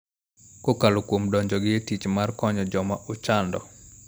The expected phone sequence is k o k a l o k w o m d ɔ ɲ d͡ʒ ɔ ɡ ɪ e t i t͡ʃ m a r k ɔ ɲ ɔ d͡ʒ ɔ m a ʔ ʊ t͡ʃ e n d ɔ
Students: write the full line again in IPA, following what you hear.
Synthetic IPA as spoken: k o k a l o k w o m d ɔ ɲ d͡ʒ ɔ ɡ ɪ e t i t͡ʃ m a r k ɔ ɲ ɔ d͡ʒ ɔ m a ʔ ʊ t͡ʃ a n d ɔ